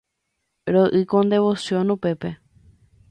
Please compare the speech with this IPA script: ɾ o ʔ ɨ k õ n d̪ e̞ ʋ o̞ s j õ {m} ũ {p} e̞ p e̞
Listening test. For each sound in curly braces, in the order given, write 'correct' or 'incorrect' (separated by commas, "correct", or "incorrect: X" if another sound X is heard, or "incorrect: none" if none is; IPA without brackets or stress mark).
incorrect: n, correct